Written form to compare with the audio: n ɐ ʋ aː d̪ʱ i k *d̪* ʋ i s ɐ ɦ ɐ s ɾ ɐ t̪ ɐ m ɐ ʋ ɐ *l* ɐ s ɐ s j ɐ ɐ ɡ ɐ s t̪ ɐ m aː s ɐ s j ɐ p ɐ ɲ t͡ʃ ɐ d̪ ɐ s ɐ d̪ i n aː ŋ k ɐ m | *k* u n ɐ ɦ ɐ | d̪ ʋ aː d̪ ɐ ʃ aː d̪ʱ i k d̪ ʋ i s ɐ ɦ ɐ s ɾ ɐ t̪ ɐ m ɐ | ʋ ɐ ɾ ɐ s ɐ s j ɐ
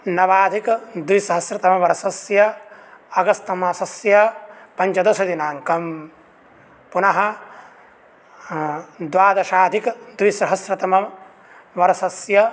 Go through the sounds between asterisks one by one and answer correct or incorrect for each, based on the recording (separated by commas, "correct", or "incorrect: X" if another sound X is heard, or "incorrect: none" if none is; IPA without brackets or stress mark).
correct, incorrect: ɾ, incorrect: p